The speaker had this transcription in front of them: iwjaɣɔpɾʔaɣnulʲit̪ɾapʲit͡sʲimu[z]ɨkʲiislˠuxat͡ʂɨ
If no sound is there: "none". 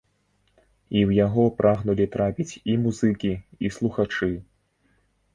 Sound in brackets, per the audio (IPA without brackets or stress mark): z